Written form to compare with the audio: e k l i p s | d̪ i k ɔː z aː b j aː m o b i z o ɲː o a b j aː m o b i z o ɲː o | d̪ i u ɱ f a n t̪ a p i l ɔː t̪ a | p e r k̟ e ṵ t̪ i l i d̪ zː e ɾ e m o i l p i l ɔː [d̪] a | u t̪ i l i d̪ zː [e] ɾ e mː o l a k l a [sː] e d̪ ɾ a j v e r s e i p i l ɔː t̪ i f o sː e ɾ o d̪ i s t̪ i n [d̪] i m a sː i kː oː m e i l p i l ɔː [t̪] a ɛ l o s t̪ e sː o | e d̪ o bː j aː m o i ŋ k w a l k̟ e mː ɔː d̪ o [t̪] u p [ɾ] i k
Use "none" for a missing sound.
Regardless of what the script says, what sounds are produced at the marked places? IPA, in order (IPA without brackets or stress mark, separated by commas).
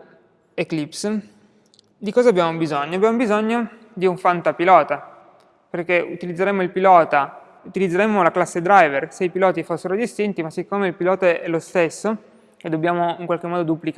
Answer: t̪, e, sː, t̪, t̪, d̪, l